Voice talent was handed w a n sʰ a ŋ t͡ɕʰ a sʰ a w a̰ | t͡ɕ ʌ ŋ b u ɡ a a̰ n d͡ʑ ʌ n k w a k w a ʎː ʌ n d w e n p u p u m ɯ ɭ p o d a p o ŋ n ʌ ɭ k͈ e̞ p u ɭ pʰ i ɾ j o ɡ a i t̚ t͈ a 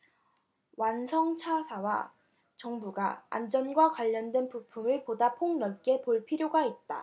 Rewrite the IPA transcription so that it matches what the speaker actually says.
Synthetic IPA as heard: w a n sʰ ʌ ŋ t͡ɕʰ a sʰ a w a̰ | t͡ɕ ʌ ŋ b u ɡ a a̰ n d͡ʑ ʌ n ɡ w a k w a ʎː ʌ n d w e n p u pʰ u m ɯ ɭ p o d a pʰ o ŋ n ʌ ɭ k͈ e̞ p o ɭ pʰ i ɾ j o ɡ a i t̚ t͈ a